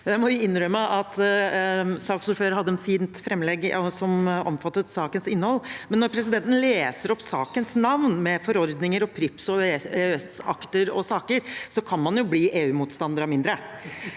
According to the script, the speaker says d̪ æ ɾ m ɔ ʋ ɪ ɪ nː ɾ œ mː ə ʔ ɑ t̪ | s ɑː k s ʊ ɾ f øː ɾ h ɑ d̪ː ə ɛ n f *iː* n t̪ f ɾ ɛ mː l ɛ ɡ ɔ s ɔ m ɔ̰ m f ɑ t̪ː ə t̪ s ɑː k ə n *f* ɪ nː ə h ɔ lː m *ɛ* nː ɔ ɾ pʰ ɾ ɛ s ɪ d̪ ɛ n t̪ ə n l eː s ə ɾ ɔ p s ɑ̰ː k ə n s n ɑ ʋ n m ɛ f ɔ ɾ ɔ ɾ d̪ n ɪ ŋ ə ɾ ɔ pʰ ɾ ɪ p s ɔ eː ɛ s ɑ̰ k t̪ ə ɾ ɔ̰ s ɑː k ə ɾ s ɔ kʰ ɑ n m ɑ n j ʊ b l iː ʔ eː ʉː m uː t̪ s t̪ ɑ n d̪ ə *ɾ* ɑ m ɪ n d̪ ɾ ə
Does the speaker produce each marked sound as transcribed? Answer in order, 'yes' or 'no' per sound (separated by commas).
yes, no, yes, yes